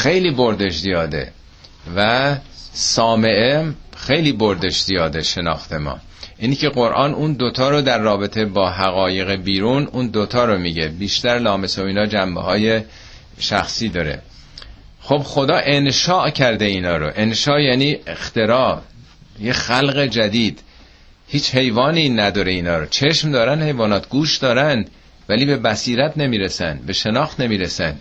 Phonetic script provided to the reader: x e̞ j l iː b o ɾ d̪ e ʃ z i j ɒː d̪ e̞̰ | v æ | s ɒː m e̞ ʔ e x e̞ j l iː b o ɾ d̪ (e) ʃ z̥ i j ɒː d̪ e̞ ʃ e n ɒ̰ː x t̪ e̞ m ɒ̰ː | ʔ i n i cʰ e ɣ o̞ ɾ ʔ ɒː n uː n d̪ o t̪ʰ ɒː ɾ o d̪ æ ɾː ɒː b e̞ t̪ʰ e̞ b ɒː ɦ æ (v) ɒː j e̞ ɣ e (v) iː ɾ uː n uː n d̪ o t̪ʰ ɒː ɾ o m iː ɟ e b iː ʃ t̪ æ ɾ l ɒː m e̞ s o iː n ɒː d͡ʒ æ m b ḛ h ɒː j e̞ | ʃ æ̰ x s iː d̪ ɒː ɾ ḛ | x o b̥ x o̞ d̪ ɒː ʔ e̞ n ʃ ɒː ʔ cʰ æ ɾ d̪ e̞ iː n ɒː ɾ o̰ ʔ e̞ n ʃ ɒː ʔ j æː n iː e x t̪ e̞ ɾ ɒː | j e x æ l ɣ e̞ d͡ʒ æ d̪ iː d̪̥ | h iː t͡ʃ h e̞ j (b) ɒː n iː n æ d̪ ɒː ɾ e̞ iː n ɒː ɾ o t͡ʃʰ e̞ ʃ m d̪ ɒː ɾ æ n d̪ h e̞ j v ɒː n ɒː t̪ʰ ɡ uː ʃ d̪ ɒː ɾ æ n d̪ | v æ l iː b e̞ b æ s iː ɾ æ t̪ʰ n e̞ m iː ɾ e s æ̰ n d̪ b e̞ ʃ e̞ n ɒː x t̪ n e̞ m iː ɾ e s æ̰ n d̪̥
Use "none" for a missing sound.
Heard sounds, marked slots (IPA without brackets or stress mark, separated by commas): e, ɣ, b, v